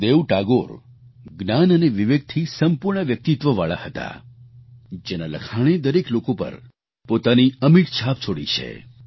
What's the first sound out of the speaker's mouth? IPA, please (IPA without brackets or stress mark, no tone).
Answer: d̪